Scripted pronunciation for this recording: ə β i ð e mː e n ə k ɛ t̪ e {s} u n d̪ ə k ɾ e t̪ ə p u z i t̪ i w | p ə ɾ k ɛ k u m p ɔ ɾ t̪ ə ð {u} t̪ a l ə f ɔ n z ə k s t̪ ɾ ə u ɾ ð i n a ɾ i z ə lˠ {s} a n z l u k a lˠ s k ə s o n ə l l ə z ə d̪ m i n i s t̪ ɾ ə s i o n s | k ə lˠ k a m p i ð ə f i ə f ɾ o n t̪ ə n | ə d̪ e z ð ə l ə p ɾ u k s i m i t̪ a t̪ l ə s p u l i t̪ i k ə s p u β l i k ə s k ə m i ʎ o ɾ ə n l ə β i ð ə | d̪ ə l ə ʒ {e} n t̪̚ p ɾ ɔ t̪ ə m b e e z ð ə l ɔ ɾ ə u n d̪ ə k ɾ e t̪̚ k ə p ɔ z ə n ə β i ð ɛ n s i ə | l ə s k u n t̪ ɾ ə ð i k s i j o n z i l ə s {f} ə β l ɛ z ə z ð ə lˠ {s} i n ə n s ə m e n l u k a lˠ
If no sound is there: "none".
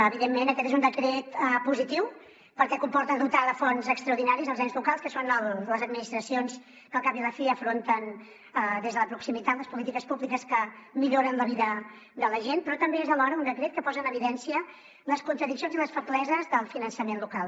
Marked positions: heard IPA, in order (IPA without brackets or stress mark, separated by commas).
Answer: z, u, z, e, f, f